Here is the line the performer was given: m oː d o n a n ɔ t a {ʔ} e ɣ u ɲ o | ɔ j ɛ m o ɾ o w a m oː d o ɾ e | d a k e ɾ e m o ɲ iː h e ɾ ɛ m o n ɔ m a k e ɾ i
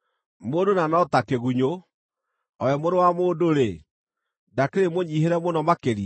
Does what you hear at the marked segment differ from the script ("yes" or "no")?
yes